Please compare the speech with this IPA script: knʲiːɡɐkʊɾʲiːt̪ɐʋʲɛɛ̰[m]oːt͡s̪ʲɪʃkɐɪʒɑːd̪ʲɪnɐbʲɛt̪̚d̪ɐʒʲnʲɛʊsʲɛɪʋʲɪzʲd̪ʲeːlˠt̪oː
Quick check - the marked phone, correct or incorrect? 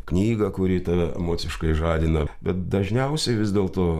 correct